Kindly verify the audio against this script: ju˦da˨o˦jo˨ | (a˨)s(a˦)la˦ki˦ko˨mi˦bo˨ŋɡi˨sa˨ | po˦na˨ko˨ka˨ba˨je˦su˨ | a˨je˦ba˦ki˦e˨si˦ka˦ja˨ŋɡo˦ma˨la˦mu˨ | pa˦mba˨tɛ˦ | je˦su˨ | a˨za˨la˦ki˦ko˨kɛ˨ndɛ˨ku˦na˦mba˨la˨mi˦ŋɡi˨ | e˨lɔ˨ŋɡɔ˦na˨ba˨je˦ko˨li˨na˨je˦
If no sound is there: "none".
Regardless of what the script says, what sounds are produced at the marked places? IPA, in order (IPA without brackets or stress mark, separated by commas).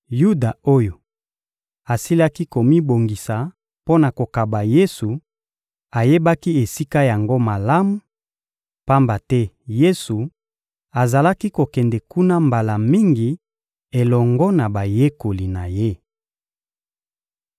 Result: a˨, i˦